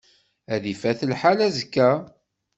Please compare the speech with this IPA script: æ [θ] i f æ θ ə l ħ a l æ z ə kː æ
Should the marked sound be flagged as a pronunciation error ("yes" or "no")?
yes